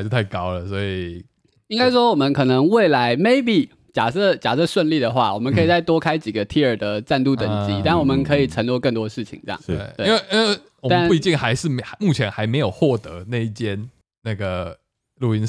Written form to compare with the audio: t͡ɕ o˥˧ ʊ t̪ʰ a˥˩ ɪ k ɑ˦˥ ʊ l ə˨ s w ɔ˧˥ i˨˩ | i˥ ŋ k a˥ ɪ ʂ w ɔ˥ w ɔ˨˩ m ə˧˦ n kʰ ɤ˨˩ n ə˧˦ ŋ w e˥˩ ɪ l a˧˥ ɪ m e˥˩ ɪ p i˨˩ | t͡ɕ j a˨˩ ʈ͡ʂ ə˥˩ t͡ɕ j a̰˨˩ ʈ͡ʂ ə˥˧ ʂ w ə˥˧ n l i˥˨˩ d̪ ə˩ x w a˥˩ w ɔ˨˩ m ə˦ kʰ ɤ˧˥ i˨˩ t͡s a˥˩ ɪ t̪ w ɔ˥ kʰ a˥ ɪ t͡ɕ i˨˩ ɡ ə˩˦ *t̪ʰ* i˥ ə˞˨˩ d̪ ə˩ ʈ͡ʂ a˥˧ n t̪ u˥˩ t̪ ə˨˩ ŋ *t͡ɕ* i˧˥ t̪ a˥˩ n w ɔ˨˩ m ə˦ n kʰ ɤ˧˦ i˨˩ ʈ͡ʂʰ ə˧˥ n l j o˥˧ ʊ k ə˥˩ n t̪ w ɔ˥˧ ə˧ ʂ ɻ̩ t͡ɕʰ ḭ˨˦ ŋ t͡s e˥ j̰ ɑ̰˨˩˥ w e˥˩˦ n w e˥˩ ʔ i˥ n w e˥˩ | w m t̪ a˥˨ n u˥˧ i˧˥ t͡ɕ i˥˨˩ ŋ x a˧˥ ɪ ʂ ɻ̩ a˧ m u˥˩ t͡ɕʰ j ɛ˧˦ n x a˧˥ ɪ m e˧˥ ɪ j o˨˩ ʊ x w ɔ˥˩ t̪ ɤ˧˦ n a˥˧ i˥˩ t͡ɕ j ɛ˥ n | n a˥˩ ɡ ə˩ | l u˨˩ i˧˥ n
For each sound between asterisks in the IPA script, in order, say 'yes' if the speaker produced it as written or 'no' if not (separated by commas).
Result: yes, yes